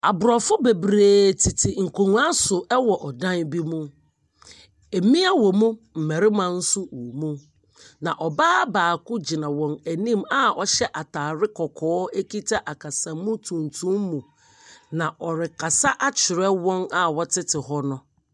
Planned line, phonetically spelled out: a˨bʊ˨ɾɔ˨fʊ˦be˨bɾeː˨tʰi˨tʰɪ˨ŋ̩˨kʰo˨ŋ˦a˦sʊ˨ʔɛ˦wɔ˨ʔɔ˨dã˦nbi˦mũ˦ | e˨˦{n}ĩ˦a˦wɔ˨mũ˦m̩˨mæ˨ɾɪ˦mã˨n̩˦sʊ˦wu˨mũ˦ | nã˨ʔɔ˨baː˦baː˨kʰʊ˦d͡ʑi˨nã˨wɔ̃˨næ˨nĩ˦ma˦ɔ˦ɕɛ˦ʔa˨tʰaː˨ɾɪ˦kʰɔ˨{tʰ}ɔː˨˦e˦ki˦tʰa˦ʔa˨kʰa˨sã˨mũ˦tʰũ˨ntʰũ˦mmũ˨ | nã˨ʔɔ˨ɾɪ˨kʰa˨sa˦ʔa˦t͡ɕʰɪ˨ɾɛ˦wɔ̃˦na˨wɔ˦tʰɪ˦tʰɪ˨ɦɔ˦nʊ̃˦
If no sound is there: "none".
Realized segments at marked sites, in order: m, kʰ

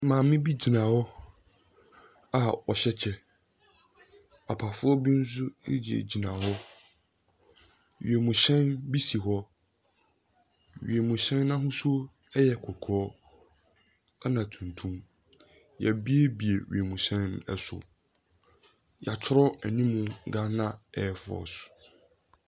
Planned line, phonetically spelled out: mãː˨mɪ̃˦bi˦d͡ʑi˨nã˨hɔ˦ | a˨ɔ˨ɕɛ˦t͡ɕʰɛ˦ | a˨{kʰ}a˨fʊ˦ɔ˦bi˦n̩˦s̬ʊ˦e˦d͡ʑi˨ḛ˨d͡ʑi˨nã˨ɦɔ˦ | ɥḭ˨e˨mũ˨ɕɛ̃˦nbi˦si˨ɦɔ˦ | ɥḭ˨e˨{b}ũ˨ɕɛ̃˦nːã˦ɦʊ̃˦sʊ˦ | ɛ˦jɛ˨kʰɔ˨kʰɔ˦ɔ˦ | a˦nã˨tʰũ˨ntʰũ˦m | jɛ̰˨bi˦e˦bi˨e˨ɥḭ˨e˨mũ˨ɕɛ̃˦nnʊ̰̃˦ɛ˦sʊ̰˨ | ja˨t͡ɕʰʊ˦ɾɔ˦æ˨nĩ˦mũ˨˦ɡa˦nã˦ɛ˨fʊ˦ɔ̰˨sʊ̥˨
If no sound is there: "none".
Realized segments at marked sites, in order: pʰ, m

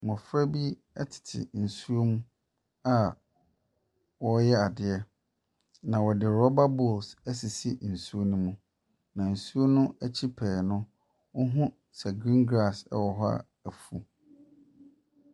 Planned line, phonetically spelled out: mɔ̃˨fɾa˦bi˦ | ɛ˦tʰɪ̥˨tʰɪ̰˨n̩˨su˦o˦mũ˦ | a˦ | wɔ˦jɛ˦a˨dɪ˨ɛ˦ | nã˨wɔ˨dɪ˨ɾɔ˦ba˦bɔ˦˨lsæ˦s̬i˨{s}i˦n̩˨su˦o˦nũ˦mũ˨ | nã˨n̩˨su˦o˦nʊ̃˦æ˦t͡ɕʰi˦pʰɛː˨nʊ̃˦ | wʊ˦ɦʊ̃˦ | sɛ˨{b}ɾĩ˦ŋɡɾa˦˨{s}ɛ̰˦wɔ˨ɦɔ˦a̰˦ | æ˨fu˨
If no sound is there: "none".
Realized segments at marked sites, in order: s, ɡ, s

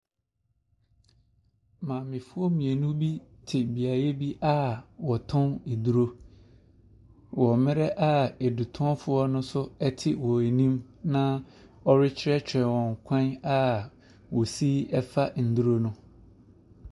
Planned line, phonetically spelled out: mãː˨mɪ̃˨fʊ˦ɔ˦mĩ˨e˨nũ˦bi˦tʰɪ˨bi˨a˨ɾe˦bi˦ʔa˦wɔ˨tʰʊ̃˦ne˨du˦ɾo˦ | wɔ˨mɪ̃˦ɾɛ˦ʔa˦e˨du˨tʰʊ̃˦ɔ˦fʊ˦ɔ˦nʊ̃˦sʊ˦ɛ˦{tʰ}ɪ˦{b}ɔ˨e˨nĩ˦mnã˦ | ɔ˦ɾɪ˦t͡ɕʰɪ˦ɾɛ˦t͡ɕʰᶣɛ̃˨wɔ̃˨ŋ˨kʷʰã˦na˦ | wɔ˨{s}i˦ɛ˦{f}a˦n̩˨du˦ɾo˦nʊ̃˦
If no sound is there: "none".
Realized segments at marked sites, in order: tʰ, w, s, f

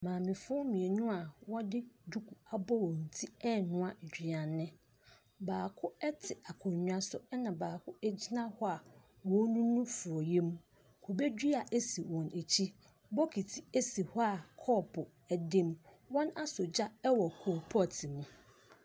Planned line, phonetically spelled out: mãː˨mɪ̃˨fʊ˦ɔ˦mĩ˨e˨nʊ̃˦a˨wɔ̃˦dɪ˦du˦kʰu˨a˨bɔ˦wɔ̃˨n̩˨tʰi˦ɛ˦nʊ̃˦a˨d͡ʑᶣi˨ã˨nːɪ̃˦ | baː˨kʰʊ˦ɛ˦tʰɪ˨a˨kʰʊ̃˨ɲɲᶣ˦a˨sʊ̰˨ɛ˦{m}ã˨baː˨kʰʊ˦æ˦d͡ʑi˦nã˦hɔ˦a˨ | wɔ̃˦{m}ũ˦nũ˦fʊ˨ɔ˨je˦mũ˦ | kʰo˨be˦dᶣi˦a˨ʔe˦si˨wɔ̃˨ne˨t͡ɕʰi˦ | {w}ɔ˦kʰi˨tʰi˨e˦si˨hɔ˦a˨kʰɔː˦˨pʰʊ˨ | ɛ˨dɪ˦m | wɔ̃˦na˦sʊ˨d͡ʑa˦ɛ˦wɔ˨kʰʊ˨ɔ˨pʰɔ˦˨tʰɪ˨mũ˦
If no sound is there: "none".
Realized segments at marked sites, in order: n, n, b

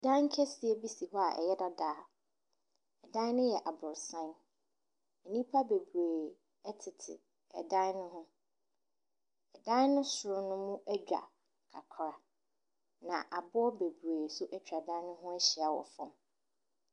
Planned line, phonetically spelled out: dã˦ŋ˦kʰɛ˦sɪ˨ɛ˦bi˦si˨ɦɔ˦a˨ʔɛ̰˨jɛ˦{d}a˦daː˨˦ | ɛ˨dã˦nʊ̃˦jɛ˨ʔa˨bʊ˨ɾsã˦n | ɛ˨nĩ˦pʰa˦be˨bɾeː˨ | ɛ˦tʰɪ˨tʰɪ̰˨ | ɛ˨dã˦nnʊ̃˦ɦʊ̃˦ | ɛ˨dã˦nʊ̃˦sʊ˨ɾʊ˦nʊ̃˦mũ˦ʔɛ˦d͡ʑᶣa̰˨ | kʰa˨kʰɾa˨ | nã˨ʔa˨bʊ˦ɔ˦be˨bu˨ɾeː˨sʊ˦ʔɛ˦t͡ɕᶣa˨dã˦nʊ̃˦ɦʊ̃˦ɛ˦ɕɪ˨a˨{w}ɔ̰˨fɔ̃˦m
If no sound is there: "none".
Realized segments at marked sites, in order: d, w

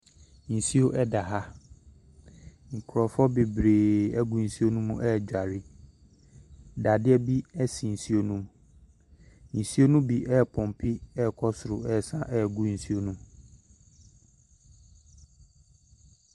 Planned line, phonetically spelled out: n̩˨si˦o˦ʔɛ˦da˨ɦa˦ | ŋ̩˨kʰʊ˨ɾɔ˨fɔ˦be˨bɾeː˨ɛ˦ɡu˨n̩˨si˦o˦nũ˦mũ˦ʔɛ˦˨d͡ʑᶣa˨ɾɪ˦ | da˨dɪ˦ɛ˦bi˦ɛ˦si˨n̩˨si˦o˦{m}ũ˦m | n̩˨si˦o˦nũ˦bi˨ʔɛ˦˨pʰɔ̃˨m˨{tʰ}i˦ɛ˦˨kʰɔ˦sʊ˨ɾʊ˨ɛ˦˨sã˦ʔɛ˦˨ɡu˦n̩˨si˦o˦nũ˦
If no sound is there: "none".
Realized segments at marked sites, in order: n, pʰ

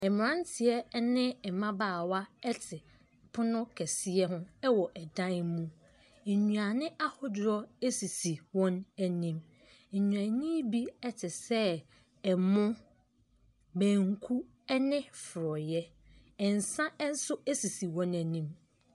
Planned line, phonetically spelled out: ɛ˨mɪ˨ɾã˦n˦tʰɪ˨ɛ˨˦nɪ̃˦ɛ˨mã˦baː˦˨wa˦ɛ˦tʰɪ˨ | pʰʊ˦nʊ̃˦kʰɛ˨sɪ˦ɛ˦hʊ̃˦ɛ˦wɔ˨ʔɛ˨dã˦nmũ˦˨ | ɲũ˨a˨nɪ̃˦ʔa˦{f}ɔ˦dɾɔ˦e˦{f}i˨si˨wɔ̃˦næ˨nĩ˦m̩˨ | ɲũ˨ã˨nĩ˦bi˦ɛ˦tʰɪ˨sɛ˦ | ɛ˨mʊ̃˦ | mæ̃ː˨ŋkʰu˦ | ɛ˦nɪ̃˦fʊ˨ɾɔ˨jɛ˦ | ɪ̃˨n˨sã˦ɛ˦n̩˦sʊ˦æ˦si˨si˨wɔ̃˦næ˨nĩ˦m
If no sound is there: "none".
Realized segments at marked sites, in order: h, s

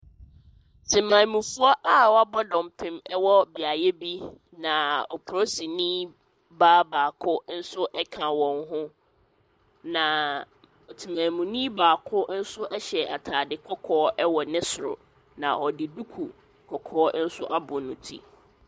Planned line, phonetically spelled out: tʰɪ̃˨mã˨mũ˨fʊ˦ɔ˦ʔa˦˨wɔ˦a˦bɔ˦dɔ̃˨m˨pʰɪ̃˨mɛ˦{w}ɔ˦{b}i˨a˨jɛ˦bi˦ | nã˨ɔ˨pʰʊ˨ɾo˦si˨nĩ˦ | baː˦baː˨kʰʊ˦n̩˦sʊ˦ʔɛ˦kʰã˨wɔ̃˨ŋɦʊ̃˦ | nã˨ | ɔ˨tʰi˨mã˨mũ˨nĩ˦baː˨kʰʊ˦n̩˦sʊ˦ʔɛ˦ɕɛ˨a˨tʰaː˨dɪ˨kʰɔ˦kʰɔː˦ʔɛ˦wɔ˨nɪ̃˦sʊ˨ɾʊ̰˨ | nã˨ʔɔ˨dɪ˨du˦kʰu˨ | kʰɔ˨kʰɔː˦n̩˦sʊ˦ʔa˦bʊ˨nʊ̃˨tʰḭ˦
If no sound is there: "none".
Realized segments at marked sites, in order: w, b

